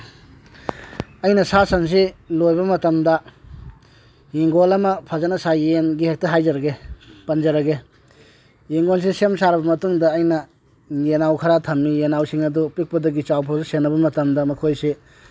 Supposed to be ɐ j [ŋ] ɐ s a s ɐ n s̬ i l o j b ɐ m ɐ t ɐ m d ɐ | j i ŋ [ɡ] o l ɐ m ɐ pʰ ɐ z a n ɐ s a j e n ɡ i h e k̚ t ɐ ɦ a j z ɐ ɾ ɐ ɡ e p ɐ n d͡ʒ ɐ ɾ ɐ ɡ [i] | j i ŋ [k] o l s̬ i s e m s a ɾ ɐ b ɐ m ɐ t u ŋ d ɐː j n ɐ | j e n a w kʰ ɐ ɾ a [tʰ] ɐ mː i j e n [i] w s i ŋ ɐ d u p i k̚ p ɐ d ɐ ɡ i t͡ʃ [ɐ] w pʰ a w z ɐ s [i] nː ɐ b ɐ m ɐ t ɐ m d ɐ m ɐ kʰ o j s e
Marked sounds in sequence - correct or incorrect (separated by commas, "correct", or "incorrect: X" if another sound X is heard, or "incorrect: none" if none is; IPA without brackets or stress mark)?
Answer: incorrect: n, correct, incorrect: e, incorrect: ɡ, correct, incorrect: a, incorrect: a, incorrect: e